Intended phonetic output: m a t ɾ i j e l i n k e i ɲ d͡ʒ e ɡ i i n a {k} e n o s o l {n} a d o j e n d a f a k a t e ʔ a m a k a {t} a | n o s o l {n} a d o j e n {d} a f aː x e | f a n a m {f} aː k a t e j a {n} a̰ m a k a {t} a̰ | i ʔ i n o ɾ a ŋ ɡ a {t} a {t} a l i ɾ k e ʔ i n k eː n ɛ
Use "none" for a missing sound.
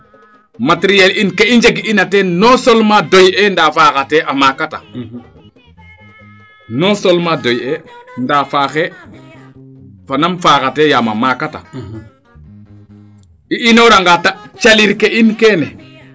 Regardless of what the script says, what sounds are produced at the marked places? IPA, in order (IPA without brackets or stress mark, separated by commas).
t, m, t, m, d, f, m, t, t, t͡ʃ